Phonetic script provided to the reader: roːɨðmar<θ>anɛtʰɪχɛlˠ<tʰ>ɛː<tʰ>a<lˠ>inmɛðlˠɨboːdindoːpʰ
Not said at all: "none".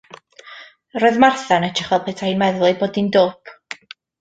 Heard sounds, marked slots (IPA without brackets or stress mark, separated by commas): θ, pʰ, tʰ, none